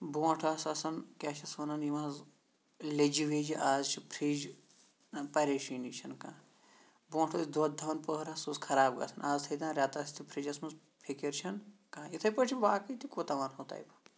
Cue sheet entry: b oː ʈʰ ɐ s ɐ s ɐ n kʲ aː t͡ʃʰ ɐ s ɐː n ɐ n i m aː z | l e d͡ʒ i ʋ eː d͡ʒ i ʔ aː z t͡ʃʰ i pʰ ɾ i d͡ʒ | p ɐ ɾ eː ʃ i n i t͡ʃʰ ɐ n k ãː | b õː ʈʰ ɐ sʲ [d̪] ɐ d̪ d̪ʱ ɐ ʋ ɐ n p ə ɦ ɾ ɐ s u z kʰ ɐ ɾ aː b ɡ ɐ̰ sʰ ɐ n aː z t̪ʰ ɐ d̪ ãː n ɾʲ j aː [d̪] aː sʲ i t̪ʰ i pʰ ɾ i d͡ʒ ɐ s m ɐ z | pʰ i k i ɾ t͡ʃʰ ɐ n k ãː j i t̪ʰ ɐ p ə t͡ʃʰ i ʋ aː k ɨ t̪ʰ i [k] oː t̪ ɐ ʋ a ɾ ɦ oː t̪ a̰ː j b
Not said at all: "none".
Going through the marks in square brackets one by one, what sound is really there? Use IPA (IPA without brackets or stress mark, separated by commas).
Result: d̪, t̪, k